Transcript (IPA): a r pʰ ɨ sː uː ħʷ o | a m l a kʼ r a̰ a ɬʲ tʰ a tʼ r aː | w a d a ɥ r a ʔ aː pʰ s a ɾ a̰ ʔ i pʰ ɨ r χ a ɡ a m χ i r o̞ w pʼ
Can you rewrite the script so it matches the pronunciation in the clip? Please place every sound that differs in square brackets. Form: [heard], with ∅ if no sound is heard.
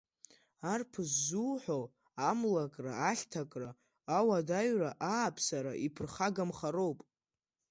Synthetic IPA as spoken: a r pʰ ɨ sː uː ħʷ o | a m l a kʼ r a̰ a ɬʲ tʰ a [kʼ] r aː | w a d a ɥ r a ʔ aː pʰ s a ɾ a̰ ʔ i pʰ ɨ r χ a ɡ a m χ [a] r o̞ w pʼ